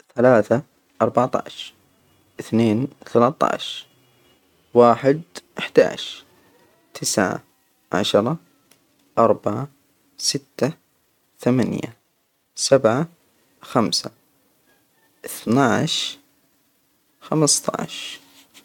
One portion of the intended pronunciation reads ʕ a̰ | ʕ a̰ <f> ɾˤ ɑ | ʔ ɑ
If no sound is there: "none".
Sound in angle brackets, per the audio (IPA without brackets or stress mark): ʃ